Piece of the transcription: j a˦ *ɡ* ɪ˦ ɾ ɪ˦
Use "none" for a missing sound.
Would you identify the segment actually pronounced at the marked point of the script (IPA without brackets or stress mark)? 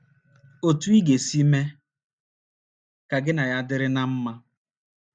d